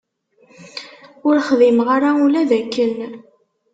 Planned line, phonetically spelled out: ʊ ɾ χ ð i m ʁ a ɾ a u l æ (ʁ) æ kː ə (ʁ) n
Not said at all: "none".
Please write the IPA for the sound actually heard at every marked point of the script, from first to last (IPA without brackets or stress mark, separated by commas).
ð, none